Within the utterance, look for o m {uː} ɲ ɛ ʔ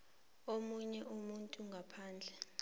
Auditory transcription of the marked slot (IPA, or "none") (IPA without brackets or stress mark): u